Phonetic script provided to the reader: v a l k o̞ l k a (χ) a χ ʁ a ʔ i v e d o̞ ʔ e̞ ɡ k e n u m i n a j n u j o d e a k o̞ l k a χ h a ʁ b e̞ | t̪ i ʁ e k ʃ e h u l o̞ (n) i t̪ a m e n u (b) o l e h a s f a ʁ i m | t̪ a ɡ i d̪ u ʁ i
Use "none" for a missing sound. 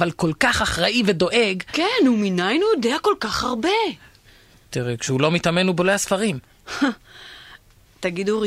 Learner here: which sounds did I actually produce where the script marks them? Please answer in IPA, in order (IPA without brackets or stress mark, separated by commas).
χ, m, b